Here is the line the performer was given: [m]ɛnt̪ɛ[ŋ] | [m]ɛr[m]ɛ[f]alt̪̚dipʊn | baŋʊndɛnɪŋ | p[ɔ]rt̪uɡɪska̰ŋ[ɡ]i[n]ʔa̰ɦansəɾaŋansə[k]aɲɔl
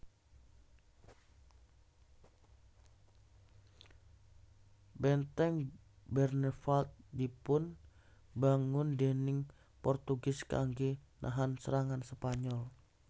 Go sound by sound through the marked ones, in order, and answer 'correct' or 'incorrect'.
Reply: incorrect: b, correct, incorrect: b, incorrect: n, correct, correct, correct, correct, incorrect: p

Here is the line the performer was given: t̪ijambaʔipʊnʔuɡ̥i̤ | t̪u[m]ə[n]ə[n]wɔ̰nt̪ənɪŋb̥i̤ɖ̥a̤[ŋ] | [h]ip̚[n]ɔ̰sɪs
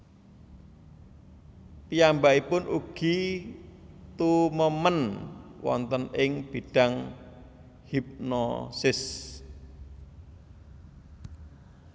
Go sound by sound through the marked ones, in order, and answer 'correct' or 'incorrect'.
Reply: correct, incorrect: m, correct, correct, correct, correct

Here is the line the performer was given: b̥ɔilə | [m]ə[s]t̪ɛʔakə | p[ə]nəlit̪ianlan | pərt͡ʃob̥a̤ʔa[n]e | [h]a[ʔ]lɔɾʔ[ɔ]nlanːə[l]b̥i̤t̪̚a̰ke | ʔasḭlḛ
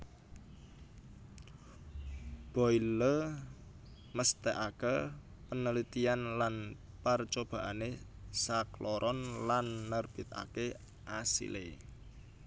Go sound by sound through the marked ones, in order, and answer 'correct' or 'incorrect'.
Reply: correct, correct, correct, correct, incorrect: s, incorrect: k, correct, incorrect: r

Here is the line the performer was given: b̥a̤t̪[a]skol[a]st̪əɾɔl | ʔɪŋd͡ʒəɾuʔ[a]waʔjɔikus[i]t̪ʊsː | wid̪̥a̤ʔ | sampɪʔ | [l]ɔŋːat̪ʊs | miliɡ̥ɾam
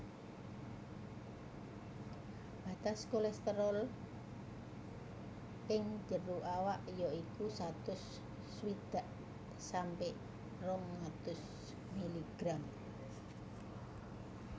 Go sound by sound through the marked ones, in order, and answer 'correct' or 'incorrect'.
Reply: correct, incorrect: ɛ, correct, incorrect: a, incorrect: r

